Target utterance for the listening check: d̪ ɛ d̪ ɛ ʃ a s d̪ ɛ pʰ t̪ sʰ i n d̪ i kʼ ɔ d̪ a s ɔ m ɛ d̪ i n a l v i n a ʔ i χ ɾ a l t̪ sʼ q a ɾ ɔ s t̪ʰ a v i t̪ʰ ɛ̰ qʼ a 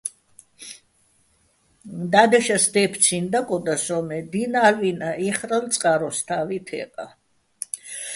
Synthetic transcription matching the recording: d̪ a d̪ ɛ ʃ a s d̪ ɛ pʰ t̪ sʰ i n d̪ a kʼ ɔ d̪ a s ɔ m ɛ d̪ i n a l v i n a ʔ i χ ɾ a l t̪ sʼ qʼ a ɾ ɔ s t̪ʰ a v i t̪ʰ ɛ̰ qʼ a

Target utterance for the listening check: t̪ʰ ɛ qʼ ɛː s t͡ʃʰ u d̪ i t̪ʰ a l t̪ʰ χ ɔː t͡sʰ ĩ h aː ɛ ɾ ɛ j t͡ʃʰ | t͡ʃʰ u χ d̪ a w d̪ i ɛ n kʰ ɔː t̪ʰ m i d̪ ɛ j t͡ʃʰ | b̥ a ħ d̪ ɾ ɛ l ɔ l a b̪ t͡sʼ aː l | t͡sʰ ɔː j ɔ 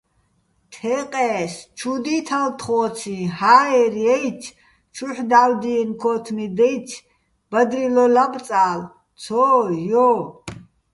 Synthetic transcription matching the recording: t̪ʰ ɛ qʼ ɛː s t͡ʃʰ u d̪ i t̪ʰ a l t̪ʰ χ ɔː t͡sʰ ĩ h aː ɛ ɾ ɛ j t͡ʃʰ | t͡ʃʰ u ħ d̪ a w d̪ i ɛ n kʰ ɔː t̪ʰ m i d̪ ɛ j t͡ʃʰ | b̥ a d̪ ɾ i l ɔ l a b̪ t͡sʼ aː l | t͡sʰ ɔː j ɔ

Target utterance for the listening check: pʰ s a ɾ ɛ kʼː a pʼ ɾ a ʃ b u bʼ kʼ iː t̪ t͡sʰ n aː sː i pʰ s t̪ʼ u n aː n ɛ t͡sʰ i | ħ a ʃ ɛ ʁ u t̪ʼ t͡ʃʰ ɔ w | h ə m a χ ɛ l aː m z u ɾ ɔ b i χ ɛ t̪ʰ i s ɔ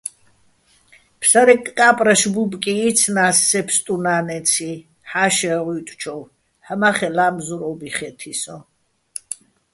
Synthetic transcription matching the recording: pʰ s a ɾ ɛ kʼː a pʼ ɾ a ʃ b u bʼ kʼ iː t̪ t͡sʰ n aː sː ɛ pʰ s t̪ʼ u n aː n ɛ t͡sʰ i | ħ a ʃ ɛ ʁ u t̪ʼ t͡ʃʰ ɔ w | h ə m a χ ɛ l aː m z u ɾ ɔ b i χ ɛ t̪ʰ i s ɔ

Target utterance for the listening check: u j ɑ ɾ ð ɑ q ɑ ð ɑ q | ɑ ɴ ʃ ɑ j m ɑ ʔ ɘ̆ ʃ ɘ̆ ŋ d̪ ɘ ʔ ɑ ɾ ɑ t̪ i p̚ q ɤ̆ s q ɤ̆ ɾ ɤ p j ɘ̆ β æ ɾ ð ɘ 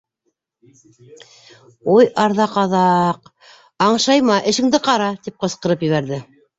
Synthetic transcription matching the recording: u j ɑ ɾ ð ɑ q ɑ ð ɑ q | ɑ ɴ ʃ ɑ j m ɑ ʔ ɘ̆ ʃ ɘ̆ ŋ d̪ ɘ q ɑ ɾ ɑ t̪ i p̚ q ɤ̆ s q ɤ̆ ɾ ɤ p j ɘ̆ β æ ɾ ð ɘ

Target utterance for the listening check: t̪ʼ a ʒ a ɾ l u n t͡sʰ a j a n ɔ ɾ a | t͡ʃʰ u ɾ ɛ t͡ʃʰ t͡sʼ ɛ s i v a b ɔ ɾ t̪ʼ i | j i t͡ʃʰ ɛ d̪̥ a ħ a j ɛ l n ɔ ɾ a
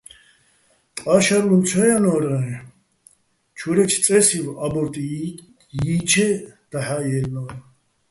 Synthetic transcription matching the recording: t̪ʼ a ʃ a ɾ l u n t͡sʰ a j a n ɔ ɾ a | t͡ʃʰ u ɾ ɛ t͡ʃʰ t͡sʼ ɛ s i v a b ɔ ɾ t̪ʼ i | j i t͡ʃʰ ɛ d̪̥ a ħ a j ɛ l n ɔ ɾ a

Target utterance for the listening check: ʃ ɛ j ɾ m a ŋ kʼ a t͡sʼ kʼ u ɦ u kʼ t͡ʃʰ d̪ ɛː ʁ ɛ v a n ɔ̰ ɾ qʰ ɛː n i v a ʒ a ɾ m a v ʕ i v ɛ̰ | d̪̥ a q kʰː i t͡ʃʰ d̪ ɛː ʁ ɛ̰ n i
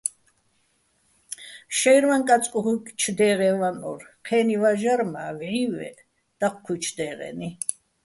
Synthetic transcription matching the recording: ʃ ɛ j ɾ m a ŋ kʼ a t͡sʼ kʼ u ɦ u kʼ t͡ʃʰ d̪ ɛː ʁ ɛ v a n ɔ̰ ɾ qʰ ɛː n i v a ʒ a ɾ m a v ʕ i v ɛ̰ | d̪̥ a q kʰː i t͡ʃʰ d̪ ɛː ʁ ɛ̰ n i

